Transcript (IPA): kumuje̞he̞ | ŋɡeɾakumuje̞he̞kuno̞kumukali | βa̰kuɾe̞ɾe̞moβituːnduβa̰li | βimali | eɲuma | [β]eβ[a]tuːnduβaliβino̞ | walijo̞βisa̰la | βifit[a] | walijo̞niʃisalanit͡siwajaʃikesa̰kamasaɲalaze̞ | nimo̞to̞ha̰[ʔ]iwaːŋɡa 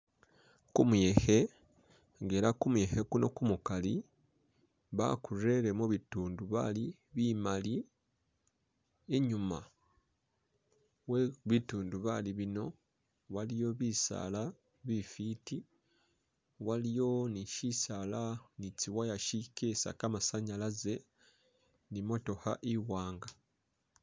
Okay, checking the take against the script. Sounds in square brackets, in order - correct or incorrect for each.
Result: incorrect, incorrect, incorrect, correct

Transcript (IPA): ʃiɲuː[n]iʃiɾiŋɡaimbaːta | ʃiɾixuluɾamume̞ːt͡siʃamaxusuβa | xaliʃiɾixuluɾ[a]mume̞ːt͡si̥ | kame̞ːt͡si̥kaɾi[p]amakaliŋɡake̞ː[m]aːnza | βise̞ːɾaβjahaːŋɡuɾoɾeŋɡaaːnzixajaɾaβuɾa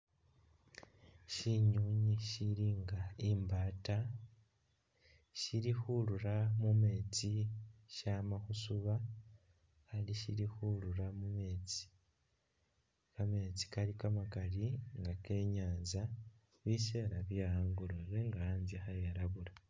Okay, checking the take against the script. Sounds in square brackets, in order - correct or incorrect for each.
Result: incorrect, correct, incorrect, incorrect

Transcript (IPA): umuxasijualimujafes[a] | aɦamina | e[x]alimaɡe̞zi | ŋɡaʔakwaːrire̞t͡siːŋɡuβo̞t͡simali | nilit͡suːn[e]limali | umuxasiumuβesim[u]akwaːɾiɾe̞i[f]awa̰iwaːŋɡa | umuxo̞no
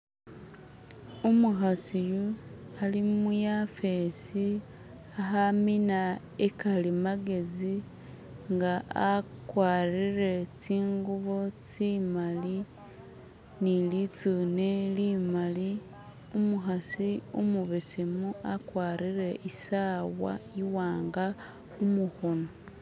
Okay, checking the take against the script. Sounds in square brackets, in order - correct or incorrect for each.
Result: incorrect, incorrect, correct, correct, incorrect

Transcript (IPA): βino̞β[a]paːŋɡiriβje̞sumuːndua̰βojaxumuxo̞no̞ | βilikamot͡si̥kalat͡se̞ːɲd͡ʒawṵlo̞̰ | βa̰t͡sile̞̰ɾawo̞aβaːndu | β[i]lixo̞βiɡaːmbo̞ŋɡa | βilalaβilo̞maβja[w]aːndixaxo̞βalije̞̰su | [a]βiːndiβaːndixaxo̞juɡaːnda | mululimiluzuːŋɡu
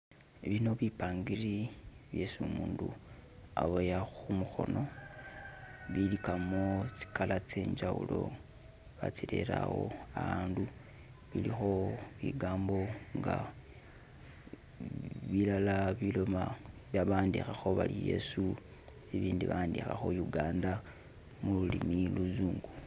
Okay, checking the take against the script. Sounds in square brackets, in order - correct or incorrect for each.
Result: incorrect, correct, incorrect, incorrect

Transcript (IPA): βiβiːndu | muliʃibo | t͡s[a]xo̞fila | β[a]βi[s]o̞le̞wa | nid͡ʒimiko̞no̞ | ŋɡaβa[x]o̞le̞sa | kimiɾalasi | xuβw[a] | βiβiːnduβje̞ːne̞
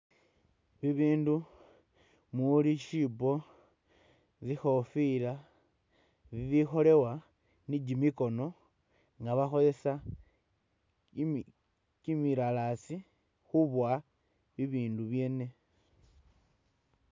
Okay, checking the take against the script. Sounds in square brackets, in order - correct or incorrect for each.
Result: incorrect, incorrect, incorrect, correct, correct

